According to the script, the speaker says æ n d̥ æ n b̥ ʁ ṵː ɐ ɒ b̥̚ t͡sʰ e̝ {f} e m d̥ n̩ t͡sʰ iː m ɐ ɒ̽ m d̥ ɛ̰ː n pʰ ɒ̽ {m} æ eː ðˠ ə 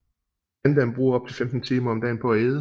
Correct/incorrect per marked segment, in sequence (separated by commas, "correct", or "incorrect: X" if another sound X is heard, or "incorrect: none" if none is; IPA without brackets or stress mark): correct, incorrect: none